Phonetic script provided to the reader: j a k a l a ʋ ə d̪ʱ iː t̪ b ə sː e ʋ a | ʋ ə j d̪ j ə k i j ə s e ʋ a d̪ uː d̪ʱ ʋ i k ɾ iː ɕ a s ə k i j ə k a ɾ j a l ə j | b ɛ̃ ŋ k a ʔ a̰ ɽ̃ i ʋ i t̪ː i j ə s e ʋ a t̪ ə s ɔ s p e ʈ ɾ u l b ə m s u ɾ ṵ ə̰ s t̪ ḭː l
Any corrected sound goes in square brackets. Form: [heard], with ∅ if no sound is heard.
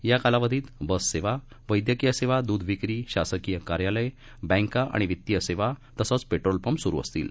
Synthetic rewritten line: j a k a l a ʋ ə d̪ʱ iː t̪ b ə sː e ʋ a | ʋ ə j d̪ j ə k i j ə s e ʋ a d̪ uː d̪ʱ ʋ i k ɾ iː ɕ a s ə k i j ə k a ɾ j a l ə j | b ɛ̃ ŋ k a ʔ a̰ ɽ̃ i ʋ i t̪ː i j ə s e ʋ a t̪ ə s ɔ [t͡s] p e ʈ ɾ [o] l [p] ə m s u ɾ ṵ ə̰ s t̪ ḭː l